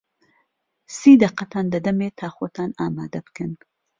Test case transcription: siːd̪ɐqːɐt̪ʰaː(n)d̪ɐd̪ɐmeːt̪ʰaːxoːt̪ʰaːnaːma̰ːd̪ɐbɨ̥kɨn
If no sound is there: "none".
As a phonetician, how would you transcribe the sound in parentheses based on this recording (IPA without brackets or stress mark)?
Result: n